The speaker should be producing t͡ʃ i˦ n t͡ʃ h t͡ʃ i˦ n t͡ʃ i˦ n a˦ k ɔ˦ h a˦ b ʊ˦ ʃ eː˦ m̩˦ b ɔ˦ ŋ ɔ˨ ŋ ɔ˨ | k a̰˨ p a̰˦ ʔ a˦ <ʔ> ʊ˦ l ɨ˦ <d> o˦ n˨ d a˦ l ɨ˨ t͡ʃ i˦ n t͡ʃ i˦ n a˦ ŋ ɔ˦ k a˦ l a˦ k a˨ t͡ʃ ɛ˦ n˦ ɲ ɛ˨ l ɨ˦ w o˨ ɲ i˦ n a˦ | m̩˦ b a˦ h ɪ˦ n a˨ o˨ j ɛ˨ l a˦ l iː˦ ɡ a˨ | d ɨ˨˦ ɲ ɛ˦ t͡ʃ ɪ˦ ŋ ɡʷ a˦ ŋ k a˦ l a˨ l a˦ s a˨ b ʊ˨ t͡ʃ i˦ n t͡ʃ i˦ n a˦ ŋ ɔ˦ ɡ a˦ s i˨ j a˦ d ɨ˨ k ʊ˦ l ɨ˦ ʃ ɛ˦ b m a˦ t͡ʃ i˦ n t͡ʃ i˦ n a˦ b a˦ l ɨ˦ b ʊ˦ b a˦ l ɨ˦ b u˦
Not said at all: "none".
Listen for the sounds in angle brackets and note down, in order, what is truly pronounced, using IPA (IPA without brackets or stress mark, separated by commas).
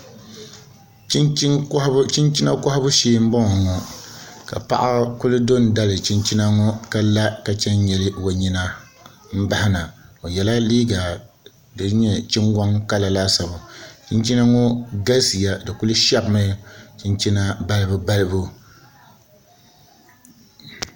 k, d